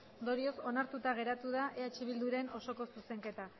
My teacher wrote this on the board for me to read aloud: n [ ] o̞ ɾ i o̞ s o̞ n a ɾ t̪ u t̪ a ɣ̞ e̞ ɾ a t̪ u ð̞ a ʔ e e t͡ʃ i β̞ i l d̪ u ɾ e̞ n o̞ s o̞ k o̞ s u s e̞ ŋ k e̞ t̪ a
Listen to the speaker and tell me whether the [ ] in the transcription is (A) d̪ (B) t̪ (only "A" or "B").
A